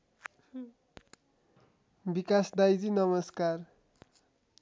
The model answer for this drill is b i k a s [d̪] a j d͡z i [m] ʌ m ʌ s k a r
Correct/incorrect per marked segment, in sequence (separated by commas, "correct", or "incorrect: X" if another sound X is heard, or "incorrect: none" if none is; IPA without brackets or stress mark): correct, incorrect: n